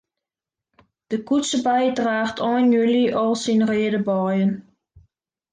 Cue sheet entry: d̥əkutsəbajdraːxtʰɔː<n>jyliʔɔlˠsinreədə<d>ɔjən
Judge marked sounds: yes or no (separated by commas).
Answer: yes, no